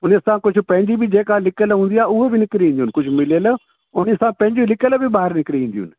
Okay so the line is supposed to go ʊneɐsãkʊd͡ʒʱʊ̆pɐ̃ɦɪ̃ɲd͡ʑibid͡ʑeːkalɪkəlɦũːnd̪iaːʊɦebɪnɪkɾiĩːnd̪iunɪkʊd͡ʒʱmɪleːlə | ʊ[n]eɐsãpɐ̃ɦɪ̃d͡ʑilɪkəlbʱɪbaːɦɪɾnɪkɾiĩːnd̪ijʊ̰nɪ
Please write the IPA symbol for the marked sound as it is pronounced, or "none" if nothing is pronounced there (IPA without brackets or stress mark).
n